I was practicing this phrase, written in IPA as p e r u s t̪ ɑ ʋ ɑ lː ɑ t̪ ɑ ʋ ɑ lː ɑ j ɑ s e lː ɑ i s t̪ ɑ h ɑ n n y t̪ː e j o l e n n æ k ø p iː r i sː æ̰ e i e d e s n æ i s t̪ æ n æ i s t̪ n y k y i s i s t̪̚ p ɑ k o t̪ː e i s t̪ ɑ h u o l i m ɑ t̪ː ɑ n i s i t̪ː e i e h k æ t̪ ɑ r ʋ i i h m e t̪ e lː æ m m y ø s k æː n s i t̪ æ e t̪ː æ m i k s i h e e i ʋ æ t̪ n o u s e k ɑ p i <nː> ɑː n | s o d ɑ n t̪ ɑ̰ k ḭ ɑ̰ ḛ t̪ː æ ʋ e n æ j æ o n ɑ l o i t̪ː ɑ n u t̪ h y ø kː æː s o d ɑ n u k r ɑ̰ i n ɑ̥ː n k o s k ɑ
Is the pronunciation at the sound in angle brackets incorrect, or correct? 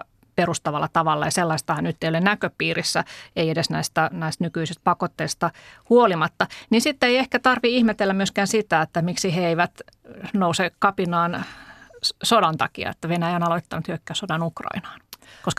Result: incorrect